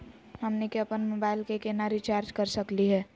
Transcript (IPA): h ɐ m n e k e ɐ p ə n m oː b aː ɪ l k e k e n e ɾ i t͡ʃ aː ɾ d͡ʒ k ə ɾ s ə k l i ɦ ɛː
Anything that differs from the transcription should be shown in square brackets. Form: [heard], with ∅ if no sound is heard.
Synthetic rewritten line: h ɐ m n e k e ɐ p ə n m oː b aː ɪ l k e k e n [a] ɾ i t͡ʃ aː ɾ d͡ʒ k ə ɾ s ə k l i ɦ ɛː